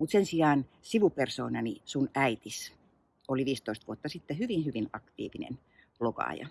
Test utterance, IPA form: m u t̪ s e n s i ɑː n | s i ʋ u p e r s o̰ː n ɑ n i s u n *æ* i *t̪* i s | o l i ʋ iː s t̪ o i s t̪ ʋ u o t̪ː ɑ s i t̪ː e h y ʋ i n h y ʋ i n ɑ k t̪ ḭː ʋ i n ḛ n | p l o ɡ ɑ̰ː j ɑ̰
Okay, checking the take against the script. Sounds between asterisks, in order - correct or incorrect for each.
correct, correct

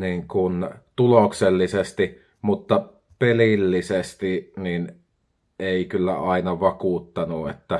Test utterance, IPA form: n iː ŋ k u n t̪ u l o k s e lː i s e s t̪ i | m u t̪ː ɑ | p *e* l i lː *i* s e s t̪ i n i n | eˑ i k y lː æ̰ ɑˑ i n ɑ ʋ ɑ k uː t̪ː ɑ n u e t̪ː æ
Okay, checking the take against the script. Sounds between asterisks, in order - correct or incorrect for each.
correct, correct

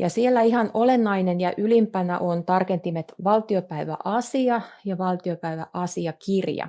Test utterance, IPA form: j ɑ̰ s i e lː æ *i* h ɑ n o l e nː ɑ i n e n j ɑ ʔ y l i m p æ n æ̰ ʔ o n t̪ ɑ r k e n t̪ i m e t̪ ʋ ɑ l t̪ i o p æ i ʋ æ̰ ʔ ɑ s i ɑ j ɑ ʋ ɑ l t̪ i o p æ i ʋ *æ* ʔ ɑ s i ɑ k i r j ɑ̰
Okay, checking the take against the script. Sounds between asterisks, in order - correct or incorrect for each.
correct, correct

